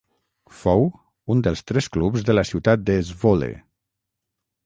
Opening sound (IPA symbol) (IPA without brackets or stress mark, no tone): f